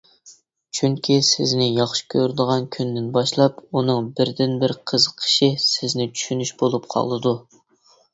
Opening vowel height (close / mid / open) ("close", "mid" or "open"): close